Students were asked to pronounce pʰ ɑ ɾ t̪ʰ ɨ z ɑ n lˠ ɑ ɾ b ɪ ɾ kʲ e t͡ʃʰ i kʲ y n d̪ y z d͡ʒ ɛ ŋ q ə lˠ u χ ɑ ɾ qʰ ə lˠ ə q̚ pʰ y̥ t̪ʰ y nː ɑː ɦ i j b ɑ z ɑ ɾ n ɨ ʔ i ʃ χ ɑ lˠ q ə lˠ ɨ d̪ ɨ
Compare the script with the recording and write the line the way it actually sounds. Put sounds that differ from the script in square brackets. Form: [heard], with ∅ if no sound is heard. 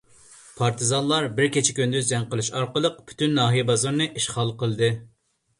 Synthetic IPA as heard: pʰ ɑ ɾ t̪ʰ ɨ z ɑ n lˠ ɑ ɾ b ɪ ɾ kʲ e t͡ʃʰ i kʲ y n d̪ y z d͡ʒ ɛ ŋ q ə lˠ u [ʃ] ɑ ɾ [q] ə lˠ ə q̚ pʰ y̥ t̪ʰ y nː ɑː ɦ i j b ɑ z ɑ ɾ n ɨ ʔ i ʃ χ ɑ lˠ q ə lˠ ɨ d̪ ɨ